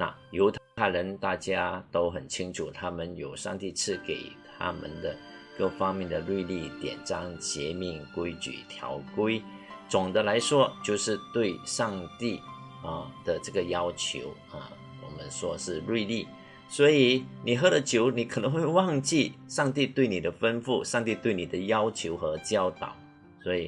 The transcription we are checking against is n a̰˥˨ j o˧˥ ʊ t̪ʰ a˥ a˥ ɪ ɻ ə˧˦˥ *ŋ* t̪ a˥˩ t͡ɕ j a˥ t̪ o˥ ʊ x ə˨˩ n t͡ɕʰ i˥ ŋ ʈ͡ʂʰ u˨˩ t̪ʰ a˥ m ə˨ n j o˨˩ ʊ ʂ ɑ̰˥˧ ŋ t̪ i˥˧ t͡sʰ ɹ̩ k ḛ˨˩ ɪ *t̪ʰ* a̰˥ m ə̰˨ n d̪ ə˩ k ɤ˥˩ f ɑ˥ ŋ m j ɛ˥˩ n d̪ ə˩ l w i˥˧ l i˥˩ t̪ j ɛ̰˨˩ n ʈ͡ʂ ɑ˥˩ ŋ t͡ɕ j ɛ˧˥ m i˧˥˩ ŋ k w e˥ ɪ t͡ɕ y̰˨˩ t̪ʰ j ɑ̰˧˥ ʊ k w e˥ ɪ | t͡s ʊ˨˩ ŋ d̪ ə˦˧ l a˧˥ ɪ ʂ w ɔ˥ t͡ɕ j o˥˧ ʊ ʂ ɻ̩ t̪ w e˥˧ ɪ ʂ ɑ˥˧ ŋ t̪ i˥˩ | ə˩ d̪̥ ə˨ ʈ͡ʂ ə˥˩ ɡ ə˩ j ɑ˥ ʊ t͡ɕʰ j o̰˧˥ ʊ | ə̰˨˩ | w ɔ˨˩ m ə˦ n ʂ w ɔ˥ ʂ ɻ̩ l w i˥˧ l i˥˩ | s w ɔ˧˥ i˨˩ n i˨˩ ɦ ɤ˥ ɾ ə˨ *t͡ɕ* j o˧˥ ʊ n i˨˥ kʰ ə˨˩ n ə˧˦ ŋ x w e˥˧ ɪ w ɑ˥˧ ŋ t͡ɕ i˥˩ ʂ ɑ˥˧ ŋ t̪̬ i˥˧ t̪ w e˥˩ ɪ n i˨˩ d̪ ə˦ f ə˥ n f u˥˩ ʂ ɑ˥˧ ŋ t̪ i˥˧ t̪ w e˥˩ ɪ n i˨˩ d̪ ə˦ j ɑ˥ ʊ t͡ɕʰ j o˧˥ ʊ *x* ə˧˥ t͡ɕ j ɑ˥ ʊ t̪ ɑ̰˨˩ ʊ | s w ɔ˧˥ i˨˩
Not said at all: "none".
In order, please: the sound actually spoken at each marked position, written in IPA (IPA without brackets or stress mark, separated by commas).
n, t̪ʰ, t͡ɕʰ, x